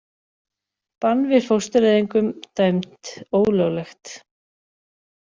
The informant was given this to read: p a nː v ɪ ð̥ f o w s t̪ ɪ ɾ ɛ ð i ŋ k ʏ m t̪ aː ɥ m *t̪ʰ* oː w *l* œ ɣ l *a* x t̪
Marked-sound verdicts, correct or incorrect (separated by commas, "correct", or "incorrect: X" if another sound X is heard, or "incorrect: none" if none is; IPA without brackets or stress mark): incorrect: t̪, correct, incorrect: ɛ